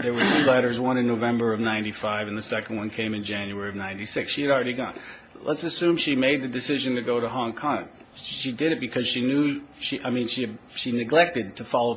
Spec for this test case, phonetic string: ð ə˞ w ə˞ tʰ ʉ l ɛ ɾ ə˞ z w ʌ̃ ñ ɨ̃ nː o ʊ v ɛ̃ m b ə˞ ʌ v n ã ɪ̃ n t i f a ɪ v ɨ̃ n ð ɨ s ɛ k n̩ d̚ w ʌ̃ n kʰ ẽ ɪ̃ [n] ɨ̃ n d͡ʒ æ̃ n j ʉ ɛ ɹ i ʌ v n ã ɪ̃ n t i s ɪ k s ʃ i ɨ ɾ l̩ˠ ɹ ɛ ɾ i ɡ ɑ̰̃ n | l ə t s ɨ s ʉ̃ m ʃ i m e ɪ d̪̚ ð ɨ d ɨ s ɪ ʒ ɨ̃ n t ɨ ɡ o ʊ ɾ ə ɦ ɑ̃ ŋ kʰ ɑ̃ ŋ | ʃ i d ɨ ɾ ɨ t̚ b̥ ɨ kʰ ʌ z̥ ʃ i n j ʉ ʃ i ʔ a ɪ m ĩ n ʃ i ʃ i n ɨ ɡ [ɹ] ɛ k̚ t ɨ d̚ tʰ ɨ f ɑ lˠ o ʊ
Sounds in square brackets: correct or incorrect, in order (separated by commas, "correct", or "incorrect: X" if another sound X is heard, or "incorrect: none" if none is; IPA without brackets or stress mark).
incorrect: m, incorrect: l